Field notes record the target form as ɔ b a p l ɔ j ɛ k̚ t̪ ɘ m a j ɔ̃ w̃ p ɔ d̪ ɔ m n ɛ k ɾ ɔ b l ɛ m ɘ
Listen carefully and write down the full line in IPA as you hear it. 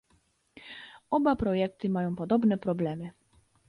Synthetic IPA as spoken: ɔ b a p ɾ ɔ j ɛ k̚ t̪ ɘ m a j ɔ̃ w̃ p ɔ d̪ ɔ b n ɛ p ɾ ɔ b l ɛ m ɘ